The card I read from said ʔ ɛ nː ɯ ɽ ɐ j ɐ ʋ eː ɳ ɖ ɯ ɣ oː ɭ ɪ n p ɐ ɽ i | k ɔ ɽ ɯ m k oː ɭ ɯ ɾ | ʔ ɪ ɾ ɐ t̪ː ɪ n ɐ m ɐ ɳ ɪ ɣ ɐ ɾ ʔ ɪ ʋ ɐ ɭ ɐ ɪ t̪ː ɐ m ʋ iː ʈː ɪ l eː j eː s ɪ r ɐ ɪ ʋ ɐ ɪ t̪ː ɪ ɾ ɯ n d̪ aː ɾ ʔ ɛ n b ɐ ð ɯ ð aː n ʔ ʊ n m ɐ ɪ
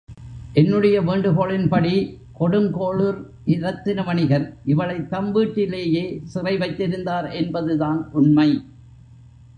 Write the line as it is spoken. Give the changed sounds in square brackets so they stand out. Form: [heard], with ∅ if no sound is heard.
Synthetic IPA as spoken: ʔ ɛ nː ɯ ɽ ɐ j ɐ ʋ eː ɳ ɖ ɯ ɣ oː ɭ ɪ n p ɐ ɽ i | k ɔ ɽ ɯ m k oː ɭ ɯ ɾ | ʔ ɪ ɾ ɐ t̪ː ɪ n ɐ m ɐ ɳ ɪ ɣ ɐ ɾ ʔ ɪ ʋ ɐ ɭ ɐ ɪ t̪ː ɐ m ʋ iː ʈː ɪ l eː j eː s ɪ r ɐ ɪ ʋ ɐ ɪ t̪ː ɪ ɾ ɯ n d̪ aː ɾ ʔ ɛ n b ɐ ð ɯ ð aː n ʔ ʊ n m ɐ ɪ